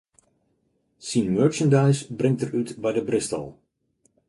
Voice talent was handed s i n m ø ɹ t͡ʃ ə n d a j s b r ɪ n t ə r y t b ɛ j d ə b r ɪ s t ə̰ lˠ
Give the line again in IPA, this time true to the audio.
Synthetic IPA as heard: s i n m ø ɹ t͡ʃ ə n d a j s b r ɪ ŋ t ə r y t b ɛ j d ə b r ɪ s t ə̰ lˠ